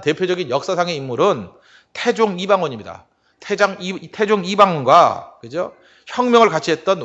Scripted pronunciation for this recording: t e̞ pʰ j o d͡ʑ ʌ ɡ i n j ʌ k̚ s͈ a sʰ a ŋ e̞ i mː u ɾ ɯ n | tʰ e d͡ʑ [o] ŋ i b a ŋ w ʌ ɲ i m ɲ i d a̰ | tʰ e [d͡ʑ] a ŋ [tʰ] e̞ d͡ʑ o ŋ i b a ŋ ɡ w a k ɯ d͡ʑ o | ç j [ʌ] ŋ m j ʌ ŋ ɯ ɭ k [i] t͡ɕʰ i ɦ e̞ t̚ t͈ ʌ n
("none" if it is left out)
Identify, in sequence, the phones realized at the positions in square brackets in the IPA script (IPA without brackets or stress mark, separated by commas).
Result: o, d͡ʑ, tʰ, ʌ, a